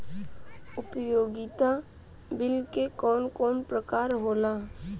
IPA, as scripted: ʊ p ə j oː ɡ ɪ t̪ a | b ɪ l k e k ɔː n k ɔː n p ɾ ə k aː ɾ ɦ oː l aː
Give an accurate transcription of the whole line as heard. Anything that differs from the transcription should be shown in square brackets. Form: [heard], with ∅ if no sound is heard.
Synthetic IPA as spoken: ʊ p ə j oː ɡ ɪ t̪ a | b ɪ l k e k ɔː n k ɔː n p ɾ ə k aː ɾ ɦ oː l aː